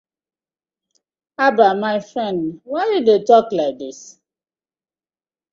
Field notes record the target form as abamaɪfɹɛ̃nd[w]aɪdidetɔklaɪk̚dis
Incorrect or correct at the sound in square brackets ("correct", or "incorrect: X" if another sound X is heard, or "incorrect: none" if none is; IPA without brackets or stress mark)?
correct